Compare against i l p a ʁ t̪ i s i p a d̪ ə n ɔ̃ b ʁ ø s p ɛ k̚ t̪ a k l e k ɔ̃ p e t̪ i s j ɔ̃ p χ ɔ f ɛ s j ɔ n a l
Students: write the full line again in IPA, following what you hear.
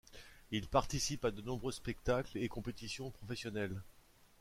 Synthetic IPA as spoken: i l p a ʁ t̪ i s i p a d̪ ə n ɔ̃ b ʁ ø s p ɛ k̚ t̪ a k l e k ɔ̃ p e t̪ i s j ɔ̃ p χ ɔ f ɛ s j ɔ n ɛ l